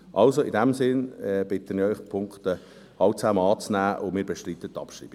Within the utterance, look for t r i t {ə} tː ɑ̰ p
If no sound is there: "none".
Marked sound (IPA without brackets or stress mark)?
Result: ə